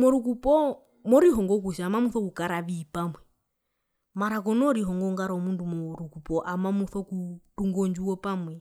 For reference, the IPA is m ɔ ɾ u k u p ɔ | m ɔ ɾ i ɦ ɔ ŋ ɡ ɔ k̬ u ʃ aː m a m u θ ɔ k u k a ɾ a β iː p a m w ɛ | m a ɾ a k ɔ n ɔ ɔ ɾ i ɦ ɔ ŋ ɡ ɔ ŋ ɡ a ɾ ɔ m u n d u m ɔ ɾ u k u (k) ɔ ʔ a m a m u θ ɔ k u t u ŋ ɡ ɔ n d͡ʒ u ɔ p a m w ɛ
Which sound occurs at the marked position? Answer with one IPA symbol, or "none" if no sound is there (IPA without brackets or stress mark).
p